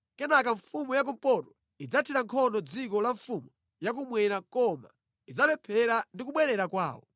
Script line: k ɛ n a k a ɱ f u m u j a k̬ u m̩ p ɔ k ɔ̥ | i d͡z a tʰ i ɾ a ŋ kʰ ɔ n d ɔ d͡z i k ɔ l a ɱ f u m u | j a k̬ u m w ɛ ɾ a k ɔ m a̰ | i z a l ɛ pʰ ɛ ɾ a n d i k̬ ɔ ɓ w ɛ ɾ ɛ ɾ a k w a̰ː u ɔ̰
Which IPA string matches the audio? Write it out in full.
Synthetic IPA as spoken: k ɛ n a k a ɱ f u m u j a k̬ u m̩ p ɔ t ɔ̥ | i d͡z a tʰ i ɾ a ŋ kʰ ɔ n d ɔ d͡z i k ɔ l a ɱ f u m u | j a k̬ u m w ɛ ɾ a k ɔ m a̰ | i d͡z a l ɛ pʰ ɛ ɾ a n d i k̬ u ɓ w ɛ ɾ ɛ ɾ a k w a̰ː w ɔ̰